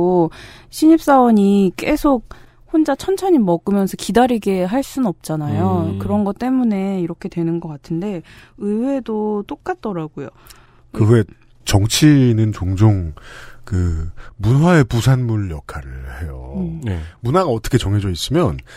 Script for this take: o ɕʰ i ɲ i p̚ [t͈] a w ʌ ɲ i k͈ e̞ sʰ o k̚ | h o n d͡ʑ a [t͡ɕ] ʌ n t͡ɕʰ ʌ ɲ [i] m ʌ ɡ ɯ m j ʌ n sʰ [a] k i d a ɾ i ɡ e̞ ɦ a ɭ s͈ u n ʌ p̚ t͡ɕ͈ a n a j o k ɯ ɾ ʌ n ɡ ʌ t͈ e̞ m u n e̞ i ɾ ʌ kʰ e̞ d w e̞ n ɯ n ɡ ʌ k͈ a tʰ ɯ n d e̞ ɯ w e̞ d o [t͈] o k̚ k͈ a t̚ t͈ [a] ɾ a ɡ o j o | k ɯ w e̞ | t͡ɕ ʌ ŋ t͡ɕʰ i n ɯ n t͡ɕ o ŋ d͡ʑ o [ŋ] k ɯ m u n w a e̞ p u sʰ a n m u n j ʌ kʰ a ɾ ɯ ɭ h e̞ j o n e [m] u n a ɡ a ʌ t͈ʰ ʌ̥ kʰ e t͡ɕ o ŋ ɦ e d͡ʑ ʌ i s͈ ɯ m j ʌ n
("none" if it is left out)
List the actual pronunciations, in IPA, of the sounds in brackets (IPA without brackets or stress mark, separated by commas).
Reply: s͈, t͡ɕʰ, i, ʌ, t͈, ʌ, ŋ, m